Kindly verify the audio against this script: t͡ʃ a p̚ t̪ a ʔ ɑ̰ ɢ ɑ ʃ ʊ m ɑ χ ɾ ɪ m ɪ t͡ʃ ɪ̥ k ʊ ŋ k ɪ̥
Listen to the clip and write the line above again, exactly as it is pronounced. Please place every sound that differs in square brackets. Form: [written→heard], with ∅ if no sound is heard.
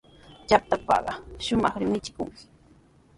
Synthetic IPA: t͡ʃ a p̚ t̪ a [ʔ→p] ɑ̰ ɢ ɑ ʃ ʊ m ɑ χ ɾ ɪ m ɪ t͡ʃ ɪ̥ k ʊ ŋ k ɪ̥